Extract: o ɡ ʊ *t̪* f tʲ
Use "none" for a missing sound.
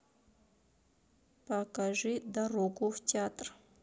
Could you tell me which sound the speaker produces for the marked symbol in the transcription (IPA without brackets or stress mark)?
none